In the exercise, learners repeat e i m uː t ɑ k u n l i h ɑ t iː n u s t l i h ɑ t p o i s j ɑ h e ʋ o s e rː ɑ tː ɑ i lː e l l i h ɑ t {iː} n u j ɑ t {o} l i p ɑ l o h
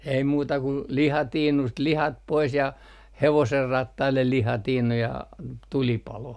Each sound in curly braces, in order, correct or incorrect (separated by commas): correct, incorrect